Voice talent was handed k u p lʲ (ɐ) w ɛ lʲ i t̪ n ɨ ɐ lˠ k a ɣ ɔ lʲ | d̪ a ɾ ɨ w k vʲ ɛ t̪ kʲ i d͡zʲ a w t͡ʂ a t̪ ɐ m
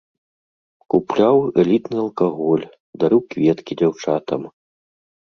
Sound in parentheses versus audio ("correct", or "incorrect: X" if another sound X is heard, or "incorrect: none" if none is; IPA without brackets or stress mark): incorrect: a